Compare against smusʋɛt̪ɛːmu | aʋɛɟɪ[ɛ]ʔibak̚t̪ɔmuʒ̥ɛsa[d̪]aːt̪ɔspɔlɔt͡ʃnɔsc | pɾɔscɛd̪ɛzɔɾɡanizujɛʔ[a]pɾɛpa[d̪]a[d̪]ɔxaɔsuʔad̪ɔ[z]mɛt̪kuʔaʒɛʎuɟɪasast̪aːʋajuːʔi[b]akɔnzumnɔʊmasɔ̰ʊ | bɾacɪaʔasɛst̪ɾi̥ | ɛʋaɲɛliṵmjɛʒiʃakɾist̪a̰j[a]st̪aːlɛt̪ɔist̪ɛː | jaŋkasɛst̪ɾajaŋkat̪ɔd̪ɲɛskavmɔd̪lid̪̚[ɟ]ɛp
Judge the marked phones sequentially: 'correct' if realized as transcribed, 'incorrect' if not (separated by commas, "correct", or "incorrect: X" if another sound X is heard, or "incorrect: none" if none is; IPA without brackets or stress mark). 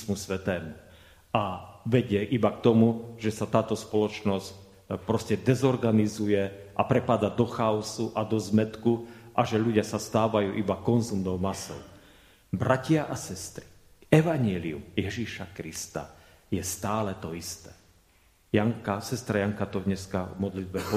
correct, incorrect: t̪, correct, correct, correct, correct, correct, incorrect: ɛ, incorrect: b